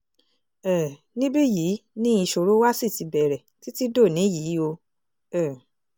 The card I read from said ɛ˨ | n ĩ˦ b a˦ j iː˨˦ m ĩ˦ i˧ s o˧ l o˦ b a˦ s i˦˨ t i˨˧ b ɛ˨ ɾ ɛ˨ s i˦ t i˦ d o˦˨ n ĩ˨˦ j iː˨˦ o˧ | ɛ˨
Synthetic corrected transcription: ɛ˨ | n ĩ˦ b i˦ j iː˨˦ n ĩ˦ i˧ ʃ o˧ ɾ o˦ w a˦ s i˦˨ t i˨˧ b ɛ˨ ɾ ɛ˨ t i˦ t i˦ d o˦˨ n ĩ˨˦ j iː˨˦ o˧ | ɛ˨